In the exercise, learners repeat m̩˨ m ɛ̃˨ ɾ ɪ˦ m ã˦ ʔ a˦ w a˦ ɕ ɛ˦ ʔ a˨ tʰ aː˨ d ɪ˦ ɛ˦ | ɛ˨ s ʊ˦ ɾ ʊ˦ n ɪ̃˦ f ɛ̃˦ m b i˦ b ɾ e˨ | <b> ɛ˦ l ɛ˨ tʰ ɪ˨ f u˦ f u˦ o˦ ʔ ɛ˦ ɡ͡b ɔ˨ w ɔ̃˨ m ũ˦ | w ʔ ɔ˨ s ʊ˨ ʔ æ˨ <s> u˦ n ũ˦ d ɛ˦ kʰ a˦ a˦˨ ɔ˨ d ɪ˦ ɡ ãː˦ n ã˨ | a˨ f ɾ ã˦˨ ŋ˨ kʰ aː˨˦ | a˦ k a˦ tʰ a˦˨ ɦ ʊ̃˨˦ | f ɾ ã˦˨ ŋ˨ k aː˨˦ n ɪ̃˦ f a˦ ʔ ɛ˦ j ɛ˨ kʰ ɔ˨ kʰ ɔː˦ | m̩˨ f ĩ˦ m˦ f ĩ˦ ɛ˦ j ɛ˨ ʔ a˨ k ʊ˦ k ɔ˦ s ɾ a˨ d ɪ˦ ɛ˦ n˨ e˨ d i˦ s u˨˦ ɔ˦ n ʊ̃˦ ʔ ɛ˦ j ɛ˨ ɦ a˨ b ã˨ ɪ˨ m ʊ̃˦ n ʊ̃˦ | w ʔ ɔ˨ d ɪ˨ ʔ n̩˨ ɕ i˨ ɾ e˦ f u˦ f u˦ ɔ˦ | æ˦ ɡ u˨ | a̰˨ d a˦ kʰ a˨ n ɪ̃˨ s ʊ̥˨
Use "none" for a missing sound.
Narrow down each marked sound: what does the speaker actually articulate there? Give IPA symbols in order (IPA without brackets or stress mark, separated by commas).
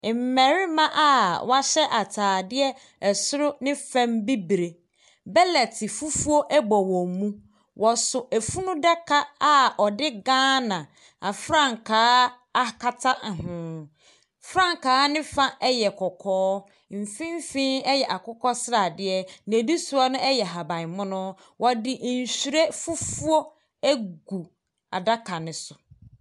b, f